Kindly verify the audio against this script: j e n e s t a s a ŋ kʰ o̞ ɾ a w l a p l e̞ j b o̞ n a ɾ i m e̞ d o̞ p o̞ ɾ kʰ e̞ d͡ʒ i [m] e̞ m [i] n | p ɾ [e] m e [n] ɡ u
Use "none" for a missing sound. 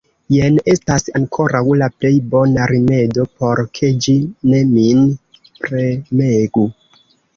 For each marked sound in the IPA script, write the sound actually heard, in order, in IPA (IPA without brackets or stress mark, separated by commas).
n, i, e, none